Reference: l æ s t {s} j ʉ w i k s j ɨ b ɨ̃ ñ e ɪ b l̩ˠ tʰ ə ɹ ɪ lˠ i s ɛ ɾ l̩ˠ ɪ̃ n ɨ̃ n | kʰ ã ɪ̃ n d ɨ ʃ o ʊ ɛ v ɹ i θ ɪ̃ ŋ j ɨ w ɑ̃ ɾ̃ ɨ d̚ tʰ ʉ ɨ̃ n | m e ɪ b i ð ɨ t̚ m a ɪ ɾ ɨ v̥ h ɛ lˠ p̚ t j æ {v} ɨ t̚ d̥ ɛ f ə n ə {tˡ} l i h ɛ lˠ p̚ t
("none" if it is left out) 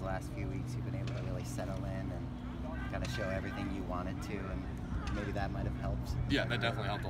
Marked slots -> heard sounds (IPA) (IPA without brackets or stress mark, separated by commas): f, ð, tˡ